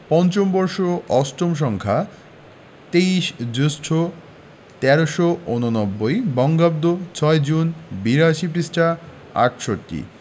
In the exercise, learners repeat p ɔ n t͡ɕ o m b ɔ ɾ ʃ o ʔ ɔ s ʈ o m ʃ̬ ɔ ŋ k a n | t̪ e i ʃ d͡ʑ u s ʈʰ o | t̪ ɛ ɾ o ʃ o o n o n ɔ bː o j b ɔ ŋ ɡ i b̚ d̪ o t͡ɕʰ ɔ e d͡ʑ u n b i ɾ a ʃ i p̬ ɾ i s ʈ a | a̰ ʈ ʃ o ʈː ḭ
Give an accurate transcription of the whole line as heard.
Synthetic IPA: p ɔ n t͡ɕ o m b ɔ ɾ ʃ o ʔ ɔ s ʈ o m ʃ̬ ɔ ŋ kʰ a | t̪ e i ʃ d͡ʑ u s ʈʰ o | t̪ ɛ ɾ o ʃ o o n o n ɔ bː o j b ɔ ŋ ɡ a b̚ d̪ o t͡ɕʰ ɔ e d͡ʑ u n b i ɾ a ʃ i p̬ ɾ i s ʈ a | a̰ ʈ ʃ o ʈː ḭ